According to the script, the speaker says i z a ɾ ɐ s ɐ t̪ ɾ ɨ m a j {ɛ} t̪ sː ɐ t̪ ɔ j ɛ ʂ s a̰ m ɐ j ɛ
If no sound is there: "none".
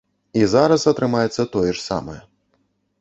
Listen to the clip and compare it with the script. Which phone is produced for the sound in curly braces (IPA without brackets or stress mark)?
ɛ